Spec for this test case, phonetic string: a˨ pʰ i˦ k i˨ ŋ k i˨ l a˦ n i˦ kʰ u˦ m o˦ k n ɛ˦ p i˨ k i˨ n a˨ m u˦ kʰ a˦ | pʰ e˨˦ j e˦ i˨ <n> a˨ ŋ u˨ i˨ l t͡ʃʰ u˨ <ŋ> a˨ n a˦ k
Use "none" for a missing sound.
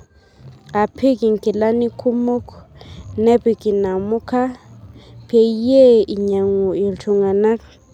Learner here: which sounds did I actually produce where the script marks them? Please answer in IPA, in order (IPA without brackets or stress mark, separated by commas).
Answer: ɲ, ŋ